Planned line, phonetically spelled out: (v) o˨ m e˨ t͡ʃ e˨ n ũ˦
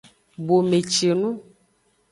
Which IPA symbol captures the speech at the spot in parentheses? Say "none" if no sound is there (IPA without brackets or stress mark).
b